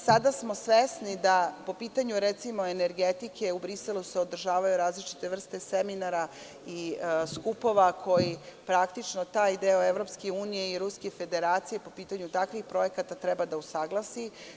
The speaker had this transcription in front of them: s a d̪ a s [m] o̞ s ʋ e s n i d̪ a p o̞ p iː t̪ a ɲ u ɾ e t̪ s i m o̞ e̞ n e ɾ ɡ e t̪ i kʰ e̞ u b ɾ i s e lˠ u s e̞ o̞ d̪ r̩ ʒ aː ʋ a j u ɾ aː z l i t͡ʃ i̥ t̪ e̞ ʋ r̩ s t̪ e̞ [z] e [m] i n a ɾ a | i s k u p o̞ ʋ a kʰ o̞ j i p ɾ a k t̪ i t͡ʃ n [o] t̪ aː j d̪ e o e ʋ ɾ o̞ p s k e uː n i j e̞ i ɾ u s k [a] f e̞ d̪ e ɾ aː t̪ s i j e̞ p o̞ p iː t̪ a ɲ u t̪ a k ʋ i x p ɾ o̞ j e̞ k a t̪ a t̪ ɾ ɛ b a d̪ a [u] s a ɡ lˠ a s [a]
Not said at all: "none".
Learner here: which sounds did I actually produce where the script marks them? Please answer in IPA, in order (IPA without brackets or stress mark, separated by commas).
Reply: m, s, m, o, e, u, i